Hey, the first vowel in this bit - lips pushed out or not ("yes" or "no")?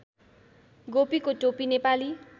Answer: yes